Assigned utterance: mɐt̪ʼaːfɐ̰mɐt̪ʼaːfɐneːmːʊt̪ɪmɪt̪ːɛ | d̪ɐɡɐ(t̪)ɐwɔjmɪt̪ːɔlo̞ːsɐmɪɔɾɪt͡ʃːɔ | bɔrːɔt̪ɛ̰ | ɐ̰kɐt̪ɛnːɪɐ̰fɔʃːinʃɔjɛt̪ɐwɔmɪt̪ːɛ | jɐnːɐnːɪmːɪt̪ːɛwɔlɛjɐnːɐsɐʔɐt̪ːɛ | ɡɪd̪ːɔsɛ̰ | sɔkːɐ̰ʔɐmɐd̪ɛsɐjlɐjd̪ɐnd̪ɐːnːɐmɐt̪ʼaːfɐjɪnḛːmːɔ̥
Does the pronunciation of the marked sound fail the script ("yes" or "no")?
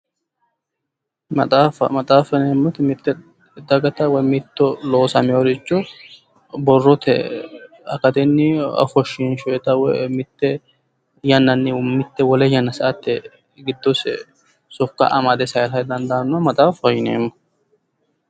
no